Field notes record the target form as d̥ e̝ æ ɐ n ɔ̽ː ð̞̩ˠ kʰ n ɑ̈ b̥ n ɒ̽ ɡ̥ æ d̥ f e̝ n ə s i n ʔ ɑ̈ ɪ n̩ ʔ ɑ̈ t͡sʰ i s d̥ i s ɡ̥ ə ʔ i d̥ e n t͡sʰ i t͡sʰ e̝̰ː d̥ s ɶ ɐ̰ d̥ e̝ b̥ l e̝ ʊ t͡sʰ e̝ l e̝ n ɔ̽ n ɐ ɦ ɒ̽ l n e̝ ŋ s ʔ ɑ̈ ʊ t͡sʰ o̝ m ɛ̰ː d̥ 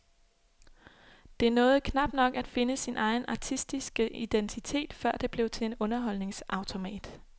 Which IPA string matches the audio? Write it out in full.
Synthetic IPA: d̥ e̝ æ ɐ n ɔ̽ː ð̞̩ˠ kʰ n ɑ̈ b̥ n ɒ̽ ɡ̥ æ d̥ f e̝ n ə s i n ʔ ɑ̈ ɪ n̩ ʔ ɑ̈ t͡sʰ i s d̥ i s ɡ̥ ə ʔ i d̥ e n t͡sʰ i t͡sʰ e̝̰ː d̥ f ɶ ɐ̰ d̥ e̝ b̥ l e̝ ʊ t͡sʰ e̝ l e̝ n ɔ̽ n ɐ ɦ ɒ̽ l n e̝ ŋ s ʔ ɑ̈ ʊ t͡sʰ o̝ m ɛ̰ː d̥